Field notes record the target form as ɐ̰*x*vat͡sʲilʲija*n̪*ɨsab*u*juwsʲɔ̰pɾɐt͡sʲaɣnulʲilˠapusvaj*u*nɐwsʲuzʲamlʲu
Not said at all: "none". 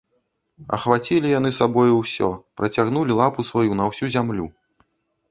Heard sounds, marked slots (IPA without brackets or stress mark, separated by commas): x, n̪, ɔ, u